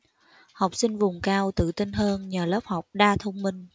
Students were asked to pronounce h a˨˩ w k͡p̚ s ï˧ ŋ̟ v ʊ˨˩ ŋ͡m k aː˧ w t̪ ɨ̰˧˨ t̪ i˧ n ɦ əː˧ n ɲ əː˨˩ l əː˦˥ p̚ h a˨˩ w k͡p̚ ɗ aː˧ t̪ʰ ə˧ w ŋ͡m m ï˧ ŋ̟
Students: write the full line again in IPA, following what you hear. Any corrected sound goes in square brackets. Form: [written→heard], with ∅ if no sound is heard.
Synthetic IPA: h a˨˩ w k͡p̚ s ï˧ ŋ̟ v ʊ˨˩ ŋ͡m k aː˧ w t̪ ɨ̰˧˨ t̪ i˧ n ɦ əː˧ n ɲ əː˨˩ l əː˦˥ p̚ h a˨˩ w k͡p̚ ɗ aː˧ t̪ʰ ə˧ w ŋ͡m m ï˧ ŋ̟